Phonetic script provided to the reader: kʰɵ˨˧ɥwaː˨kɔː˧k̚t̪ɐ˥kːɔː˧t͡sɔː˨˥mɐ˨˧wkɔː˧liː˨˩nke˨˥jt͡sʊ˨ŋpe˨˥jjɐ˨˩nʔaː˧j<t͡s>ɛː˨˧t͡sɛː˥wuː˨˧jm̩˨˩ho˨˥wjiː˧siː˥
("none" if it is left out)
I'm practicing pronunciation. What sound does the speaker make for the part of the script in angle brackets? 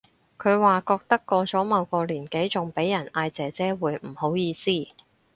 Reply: t͡s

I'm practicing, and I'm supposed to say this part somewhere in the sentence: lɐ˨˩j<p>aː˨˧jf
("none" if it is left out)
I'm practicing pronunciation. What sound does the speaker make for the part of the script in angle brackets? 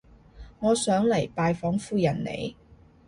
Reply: p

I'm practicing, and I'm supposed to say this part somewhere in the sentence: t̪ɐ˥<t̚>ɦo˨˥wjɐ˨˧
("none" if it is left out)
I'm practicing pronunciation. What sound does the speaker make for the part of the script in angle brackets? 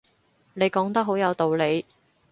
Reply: k̚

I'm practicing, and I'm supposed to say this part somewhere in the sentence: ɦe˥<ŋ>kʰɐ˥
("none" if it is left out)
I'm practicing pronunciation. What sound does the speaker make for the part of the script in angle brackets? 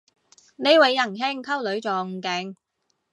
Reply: ŋ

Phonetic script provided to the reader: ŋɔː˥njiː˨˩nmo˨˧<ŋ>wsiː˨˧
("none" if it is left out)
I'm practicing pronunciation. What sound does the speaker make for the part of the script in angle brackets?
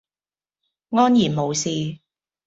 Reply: none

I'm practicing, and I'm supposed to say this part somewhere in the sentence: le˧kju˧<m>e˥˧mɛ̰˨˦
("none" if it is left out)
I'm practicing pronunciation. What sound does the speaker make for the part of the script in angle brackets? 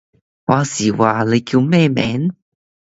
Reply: m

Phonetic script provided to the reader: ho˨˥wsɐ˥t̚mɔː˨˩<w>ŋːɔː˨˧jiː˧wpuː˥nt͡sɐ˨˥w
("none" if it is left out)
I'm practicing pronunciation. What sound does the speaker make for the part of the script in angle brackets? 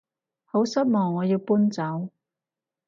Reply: none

